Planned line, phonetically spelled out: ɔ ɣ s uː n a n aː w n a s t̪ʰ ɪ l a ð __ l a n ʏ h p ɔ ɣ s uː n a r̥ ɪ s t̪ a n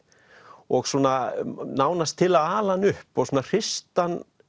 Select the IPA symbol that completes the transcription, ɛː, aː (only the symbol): aː